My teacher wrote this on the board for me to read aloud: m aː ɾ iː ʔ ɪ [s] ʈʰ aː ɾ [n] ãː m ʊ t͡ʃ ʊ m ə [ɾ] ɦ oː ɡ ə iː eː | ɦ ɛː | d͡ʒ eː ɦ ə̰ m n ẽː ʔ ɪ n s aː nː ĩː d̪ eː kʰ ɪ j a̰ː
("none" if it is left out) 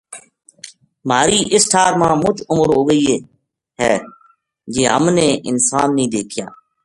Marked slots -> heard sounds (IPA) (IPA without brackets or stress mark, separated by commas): s, m, ɾ